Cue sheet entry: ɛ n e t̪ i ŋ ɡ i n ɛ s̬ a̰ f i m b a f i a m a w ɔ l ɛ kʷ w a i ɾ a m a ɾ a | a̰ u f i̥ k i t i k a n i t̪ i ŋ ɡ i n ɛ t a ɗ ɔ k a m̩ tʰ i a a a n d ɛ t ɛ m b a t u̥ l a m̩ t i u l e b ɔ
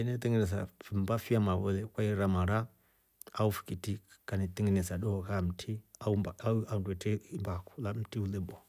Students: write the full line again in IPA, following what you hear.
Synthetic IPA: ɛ n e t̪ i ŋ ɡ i n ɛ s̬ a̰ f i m b a f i a m a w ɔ l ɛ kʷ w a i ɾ a m a ɾ a | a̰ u f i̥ k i t i k a n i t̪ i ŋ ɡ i n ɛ s a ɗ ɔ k a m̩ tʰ i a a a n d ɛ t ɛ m b a k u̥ l a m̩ t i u l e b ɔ